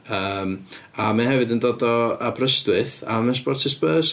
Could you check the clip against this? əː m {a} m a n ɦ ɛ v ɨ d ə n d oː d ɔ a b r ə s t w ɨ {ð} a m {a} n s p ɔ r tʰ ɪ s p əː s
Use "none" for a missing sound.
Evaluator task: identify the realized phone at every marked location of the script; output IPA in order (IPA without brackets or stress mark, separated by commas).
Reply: a, θ, ə